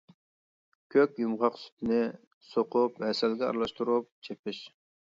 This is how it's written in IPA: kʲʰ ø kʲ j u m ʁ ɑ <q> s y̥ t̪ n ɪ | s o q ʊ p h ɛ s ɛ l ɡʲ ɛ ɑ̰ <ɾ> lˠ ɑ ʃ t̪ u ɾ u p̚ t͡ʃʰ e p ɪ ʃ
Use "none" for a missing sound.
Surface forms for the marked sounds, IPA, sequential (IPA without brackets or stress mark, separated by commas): q, ɾ